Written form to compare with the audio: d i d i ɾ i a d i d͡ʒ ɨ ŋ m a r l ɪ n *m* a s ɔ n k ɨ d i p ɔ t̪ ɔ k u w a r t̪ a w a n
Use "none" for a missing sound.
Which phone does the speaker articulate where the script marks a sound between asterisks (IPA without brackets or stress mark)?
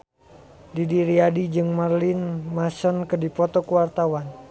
m